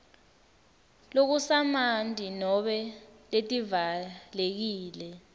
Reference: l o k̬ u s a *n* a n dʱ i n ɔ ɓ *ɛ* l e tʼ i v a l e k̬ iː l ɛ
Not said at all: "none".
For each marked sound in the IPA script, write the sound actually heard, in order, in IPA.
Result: m, ɛ

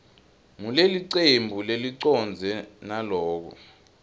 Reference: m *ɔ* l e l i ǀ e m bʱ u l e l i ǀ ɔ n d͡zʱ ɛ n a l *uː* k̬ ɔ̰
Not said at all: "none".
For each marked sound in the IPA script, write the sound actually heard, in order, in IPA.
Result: u, ɔː

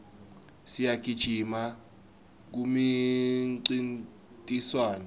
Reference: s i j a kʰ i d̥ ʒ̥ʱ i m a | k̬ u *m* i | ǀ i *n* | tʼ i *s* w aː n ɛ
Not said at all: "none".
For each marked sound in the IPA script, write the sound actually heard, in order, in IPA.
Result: m, n, s

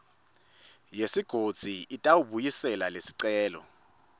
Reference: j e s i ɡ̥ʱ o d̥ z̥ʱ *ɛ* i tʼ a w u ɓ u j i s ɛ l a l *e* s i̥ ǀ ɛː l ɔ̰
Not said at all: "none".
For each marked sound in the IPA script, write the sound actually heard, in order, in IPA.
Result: i, e

